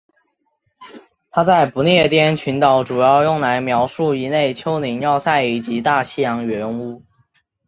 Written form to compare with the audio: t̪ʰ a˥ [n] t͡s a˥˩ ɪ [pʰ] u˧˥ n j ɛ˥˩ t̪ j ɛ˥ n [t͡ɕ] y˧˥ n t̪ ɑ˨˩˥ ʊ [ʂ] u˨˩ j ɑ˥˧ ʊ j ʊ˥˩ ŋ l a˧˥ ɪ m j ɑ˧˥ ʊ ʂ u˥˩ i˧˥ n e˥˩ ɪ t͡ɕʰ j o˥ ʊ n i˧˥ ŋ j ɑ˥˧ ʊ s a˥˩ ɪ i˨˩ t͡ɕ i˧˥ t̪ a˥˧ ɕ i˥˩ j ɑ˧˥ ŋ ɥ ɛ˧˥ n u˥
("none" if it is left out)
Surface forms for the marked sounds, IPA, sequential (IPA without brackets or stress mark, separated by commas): none, p, t͡ɕʰ, ʈ͡ʂ